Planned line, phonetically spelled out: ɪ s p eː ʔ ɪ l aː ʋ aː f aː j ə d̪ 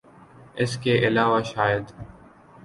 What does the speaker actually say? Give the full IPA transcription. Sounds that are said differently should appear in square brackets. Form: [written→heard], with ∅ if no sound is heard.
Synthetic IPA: ɪ s [p→k] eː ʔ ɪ l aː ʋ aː [f→ʃ] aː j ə d̪

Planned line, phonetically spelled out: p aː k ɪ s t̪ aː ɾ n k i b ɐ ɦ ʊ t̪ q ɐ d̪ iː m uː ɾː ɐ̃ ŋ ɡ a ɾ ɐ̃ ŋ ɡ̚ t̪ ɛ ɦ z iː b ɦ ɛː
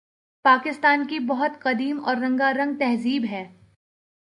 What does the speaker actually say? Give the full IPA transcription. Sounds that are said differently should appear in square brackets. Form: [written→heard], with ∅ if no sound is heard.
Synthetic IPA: p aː k ɪ s t̪ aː [ɾ→∅] n k i b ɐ ɦ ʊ t̪ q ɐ d̪ iː m [uː→ɔː] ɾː ɐ̃ ŋ ɡ a ɾ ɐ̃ ŋ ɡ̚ t̪ ɛ ɦ z iː b ɦ ɛː

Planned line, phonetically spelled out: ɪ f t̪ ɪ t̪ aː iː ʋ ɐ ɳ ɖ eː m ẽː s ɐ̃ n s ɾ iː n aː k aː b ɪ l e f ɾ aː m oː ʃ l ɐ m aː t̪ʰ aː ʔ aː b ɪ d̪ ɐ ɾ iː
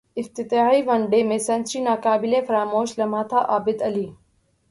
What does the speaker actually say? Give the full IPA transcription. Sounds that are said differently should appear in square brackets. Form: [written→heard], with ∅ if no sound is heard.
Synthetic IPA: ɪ f t̪ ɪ t̪ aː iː ʋ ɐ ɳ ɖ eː m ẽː s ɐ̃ n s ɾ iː n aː k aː b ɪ l e f ɾ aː m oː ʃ l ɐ m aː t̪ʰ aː ʔ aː b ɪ d̪ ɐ [ɾ→l] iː

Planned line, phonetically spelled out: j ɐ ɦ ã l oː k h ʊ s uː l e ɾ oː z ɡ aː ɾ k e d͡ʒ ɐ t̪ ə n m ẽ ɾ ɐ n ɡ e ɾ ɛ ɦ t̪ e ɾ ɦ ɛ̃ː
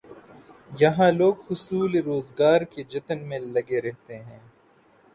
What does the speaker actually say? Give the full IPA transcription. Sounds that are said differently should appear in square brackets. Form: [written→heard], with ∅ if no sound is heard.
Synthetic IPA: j ɐ ɦ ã l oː [k→ɡ] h ʊ s uː l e ɾ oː z ɡ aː ɾ k e d͡ʒ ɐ t̪ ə n m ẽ [ɾ→l] ɐ [n→∅] ɡ e ɾ ɛ ɦ t̪ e [ɾ→∅] ɦ ɛ̃ː

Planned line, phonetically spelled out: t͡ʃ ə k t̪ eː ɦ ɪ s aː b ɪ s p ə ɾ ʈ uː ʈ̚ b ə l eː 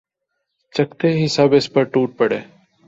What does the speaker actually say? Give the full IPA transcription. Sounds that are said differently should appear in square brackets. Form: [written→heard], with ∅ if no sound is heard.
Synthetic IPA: t͡ʃ ə k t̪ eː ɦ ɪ s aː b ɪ s p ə ɾ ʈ uː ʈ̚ [b→p] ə [l→ɽ] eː

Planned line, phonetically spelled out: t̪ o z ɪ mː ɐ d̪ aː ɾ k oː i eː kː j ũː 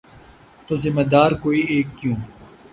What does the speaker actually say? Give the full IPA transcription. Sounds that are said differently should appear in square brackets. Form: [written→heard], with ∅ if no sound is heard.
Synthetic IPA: t̪ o z ɪ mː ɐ d̪ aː ɾ k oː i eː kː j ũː

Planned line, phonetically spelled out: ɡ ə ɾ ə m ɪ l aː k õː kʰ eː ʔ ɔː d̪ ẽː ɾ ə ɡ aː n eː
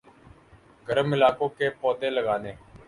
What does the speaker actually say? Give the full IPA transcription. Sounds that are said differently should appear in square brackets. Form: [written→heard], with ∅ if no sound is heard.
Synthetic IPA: ɡ ə ɾ ə m ɪ l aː k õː [kʰ→k] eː [ʔ→p] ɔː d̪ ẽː [ɾ→l] ə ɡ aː n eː

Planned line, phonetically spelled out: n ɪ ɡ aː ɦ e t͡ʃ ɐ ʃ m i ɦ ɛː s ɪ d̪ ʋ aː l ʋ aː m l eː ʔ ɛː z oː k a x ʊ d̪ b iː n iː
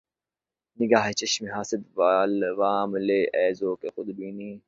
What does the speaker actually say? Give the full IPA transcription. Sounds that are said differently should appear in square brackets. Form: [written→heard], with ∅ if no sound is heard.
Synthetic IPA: n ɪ ɡ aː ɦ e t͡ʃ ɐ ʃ m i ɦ [ɛː→aː] s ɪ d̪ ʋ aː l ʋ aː m l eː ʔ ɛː z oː k [a→e] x ʊ d̪ b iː n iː

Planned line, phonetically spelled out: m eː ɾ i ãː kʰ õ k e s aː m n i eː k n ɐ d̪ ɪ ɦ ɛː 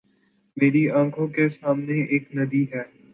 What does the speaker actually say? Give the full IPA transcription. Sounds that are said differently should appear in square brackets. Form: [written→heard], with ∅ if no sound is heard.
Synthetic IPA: m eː ɾ i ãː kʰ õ k e s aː m n [i→e] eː k n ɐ d̪ [ɪ→i] ɦ ɛː

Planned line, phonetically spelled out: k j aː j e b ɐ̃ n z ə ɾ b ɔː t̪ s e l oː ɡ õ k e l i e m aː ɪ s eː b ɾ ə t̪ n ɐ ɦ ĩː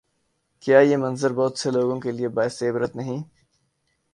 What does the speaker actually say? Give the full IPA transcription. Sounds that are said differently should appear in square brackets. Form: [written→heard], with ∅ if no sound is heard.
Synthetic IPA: k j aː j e [b→m] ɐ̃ n z ə ɾ b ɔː t̪ s e l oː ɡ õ k e l i e [m→b] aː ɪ s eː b ɾ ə t̪ n ɐ ɦ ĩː

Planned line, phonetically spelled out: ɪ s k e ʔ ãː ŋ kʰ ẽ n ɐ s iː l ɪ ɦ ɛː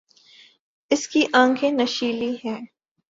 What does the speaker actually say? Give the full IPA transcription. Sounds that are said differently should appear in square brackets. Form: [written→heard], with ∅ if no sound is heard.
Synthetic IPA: ɪ s k [e→i] ʔ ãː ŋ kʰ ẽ n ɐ [s→ʃ] iː l [ɪ→i] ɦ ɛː

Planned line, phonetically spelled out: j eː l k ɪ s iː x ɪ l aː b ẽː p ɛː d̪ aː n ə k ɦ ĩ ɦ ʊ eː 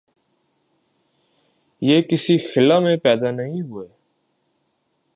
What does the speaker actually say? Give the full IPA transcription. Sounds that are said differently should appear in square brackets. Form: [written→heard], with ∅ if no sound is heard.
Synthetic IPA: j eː [l→∅] k ɪ s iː x ɪ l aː [b→m] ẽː p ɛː d̪ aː n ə [k→∅] ɦ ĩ ɦ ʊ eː

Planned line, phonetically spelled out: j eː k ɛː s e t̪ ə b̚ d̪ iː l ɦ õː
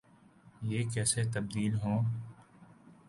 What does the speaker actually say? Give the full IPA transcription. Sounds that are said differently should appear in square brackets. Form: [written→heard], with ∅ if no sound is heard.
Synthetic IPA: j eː k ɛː s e t̪ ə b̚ d̪ iː l ɦ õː

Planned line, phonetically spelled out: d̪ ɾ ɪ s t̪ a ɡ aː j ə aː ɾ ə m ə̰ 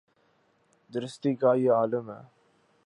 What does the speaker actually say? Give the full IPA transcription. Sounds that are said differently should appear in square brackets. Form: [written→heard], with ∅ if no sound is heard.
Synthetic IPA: d̪ ɾ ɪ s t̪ [a→i] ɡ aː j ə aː [ɾ→l] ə m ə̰

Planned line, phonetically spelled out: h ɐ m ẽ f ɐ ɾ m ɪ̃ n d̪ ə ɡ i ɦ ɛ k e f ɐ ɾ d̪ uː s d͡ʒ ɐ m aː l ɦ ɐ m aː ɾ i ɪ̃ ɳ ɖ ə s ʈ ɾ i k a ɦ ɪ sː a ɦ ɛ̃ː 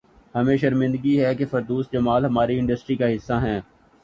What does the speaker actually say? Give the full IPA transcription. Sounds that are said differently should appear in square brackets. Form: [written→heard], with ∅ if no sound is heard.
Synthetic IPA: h ɐ m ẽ [f→ʃ] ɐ ɾ m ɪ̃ n d̪ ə ɡ i ɦ ɛ k e f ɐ ɾ d̪ uː s d͡ʒ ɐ m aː l ɦ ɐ m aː ɾ i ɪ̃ ɳ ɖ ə s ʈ ɾ i k a ɦ ɪ sː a ɦ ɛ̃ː

